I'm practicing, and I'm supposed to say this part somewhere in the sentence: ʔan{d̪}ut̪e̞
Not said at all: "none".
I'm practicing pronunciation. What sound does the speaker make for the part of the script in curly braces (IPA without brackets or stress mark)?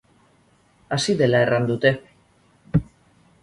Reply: d̪